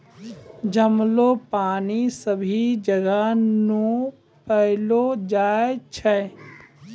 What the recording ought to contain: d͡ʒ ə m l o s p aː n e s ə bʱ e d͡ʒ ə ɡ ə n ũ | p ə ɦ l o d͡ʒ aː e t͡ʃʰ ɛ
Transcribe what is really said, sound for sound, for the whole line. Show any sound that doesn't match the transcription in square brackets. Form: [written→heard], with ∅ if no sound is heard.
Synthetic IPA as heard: d͡ʒ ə m l o [s→∅] p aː n [e→i] s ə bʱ [e→i] d͡ʒ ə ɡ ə n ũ | p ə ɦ l o d͡ʒ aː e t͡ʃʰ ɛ